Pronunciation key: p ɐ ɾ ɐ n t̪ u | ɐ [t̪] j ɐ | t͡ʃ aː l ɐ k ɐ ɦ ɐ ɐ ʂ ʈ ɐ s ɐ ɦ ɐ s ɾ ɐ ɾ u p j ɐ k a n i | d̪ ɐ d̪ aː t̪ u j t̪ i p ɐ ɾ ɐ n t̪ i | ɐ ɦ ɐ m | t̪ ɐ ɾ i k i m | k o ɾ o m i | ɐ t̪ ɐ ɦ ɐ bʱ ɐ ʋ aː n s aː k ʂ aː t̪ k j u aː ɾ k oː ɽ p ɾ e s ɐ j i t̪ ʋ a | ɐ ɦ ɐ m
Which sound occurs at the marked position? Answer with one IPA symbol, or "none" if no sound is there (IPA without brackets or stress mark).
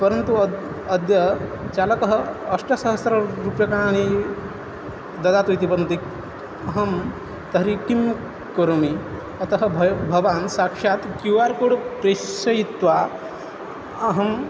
d̪